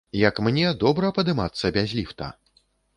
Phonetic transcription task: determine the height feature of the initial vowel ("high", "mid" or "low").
low